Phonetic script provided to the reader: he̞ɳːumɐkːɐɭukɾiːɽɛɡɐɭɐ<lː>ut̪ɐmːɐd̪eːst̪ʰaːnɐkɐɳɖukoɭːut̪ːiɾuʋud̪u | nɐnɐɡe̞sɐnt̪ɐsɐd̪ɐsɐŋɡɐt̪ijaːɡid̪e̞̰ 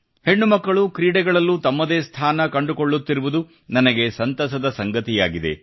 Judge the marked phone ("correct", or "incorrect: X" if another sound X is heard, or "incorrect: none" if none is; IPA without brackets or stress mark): correct